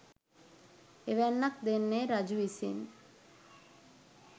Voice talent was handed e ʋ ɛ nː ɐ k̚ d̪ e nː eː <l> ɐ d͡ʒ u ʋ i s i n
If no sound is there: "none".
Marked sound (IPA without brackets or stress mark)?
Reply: ɾ